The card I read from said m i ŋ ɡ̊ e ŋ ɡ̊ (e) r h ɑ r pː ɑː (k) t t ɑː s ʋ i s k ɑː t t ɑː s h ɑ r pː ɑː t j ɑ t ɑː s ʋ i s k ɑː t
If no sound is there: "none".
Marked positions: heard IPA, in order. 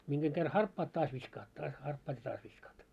e, none

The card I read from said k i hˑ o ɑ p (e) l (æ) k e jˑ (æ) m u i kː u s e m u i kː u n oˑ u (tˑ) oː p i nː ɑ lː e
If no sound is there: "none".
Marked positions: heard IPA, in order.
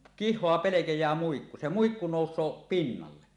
e, e, æː, sˑ

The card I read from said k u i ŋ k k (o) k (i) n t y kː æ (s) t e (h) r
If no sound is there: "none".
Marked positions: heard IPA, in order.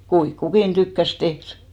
u, i, s, h

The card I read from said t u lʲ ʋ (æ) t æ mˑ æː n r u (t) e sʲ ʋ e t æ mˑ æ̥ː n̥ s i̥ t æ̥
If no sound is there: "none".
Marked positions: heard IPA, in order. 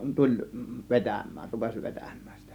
e, p

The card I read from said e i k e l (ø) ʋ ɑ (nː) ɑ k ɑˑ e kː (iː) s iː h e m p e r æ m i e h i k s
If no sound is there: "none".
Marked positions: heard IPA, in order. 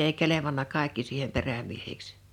e, nː, i

